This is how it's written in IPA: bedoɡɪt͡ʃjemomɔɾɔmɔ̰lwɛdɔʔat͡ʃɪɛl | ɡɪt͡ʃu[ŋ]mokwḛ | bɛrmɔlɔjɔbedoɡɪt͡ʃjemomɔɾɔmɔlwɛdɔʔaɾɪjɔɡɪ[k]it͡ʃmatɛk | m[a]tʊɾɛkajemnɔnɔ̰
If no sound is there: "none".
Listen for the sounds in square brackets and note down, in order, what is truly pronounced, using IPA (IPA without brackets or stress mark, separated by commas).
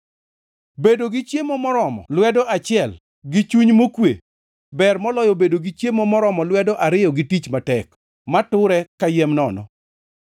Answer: ɲ, t, a